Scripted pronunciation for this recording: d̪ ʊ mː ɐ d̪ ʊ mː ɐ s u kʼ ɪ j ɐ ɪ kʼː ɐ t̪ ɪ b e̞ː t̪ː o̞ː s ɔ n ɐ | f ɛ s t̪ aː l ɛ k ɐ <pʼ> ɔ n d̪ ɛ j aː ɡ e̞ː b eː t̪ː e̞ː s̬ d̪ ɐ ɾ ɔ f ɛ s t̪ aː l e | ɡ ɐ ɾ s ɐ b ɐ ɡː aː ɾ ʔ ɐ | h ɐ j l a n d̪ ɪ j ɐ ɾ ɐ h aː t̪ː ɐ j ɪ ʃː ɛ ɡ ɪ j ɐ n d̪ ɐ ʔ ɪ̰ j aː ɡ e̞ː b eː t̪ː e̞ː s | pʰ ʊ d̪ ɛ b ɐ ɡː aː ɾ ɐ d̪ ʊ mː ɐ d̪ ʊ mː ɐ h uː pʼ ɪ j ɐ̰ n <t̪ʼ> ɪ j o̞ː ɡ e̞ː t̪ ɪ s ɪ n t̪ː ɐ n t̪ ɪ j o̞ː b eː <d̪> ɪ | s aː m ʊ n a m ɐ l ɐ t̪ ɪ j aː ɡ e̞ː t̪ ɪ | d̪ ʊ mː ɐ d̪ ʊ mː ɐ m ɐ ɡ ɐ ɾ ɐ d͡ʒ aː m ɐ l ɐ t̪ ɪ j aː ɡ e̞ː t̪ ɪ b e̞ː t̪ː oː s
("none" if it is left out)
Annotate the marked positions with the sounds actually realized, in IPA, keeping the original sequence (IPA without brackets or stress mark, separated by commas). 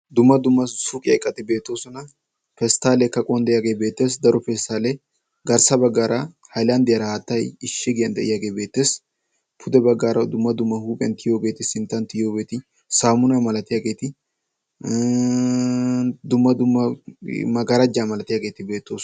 kʼ, t̪, t̪